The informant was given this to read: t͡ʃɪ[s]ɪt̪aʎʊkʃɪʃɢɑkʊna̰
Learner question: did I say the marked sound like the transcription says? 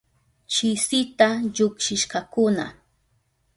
yes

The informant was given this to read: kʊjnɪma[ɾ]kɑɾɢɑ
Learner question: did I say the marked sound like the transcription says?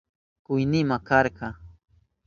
no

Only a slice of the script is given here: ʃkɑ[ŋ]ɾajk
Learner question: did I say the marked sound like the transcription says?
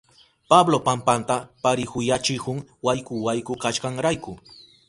yes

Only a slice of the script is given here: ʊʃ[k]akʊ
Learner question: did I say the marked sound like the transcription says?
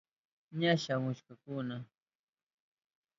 yes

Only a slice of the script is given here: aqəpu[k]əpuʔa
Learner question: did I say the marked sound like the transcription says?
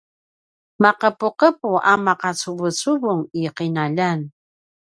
no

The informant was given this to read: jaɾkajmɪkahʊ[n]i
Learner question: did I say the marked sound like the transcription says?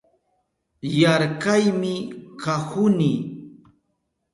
yes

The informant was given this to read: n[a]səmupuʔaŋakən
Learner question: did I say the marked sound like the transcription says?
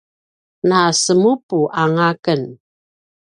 yes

